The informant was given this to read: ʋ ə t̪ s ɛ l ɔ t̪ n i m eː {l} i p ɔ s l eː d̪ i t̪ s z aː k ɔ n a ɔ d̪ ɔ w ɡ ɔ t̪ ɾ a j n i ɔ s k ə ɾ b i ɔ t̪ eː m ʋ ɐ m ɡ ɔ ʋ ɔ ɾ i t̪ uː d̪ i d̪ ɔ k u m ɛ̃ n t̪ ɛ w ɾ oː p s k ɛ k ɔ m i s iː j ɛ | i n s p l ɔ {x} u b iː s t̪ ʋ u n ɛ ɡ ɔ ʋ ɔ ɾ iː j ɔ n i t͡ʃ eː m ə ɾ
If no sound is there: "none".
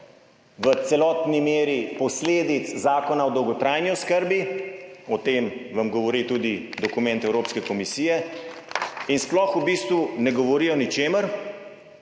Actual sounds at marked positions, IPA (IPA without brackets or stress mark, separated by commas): ɾ, x